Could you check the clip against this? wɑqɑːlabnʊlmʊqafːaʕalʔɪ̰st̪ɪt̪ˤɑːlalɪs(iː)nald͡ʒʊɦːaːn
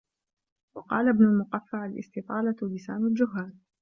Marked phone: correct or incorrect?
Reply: incorrect: aː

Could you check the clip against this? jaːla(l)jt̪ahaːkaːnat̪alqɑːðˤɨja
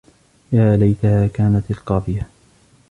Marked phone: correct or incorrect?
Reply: incorrect: none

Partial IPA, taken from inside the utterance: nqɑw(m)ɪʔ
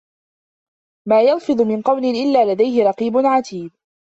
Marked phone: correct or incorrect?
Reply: incorrect: n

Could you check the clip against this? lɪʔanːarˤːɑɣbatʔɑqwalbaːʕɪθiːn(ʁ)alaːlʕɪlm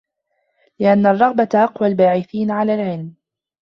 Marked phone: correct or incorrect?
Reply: incorrect: ʕ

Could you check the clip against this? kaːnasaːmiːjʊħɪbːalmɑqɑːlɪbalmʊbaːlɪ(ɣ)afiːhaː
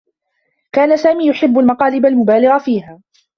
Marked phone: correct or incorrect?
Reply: correct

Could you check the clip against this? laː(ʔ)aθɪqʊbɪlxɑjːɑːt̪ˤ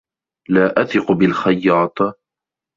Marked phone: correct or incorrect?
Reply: correct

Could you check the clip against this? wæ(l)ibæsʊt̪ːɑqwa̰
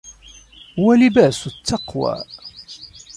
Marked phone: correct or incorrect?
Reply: correct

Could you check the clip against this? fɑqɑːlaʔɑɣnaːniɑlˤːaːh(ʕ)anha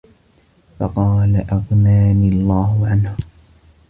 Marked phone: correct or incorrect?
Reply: correct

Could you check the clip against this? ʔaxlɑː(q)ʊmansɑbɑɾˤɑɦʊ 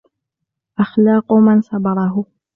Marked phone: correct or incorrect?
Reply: correct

